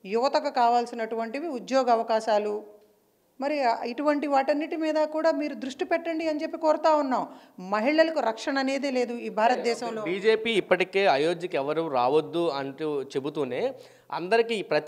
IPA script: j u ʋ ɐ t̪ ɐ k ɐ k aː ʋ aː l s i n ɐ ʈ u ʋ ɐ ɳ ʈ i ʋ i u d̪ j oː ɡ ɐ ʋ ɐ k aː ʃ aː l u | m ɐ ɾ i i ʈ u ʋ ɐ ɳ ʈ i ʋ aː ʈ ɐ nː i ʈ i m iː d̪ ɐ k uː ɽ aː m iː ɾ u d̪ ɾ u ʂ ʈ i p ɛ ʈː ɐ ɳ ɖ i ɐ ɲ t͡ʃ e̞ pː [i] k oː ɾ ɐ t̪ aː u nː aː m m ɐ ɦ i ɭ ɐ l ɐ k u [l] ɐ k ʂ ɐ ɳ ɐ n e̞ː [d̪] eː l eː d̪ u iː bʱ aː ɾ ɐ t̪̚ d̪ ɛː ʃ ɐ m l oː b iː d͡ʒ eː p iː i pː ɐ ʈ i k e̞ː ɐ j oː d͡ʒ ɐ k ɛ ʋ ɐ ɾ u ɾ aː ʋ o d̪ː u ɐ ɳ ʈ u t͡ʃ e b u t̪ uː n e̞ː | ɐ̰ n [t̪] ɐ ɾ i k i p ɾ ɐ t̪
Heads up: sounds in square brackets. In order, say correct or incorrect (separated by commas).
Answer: correct, incorrect, correct, incorrect